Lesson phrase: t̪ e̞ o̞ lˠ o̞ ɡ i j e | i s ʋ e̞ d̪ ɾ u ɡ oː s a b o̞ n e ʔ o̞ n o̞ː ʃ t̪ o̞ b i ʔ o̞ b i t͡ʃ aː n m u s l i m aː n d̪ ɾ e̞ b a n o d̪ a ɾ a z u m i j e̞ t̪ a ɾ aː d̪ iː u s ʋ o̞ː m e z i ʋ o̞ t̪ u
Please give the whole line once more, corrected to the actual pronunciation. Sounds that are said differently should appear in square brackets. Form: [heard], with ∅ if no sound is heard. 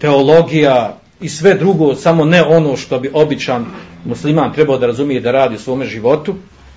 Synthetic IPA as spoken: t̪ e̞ o̞ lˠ o̞ ɡ i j [a] | i s ʋ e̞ d̪ ɾ u ɡ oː s a [m] o̞ n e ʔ o̞ n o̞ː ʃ t̪ o̞ b i ʔ o̞ b i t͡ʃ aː n m u s l i m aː n [t̪] ɾ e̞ b a [∅] o d̪ a ɾ a z u m i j e̞ [d̪] a ɾ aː d̪ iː u s ʋ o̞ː m e [ʒ] i ʋ o̞ t̪ u